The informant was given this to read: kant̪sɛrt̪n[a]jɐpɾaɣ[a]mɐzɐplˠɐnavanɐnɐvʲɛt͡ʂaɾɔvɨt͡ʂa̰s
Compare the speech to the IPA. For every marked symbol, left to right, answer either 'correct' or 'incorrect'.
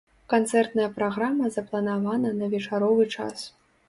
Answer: incorrect: ɐ, correct

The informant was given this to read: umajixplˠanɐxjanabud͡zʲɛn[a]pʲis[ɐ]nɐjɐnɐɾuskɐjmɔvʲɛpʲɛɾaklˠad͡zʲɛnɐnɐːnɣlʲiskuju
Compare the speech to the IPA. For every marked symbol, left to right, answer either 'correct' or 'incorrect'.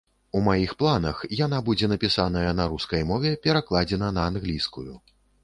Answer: incorrect: ɐ, incorrect: a

